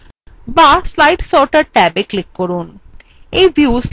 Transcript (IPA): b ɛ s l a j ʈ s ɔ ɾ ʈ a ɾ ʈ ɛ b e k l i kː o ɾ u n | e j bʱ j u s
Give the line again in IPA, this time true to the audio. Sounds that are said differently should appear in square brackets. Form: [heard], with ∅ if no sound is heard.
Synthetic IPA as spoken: b [a] s l a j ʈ s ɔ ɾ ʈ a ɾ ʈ ɛ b e k l i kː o ɾ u n | e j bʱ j u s